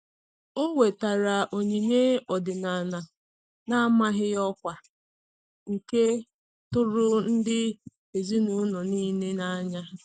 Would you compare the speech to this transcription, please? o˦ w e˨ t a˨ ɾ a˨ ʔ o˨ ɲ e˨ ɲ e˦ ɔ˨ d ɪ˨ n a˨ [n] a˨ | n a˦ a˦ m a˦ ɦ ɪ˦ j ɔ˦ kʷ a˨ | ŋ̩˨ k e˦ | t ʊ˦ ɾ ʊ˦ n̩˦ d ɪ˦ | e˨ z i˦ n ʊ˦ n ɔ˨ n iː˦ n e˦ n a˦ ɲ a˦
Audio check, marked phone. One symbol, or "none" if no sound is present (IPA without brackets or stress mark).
n